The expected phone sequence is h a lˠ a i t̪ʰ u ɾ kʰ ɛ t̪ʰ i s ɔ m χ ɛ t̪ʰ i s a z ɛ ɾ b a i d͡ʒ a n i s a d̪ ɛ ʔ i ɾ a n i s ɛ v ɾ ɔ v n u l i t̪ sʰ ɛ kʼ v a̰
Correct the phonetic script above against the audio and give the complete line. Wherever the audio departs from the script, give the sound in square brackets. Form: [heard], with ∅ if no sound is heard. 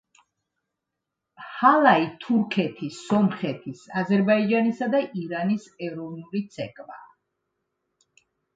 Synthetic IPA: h a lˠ a i t̪ʰ u ɾ kʰ ɛ t̪ʰ i s ɔ m χ ɛ t̪ʰ i s a z ɛ ɾ b a i d͡ʒ a n i s a d̪ [a] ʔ i ɾ a n i s ɛ v ɾ ɔ v n u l i t̪ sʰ ɛ kʼ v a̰